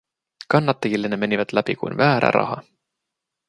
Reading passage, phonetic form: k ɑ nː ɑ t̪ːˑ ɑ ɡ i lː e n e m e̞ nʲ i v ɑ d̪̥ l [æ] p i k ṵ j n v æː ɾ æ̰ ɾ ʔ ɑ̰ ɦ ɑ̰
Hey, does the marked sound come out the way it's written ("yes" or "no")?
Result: yes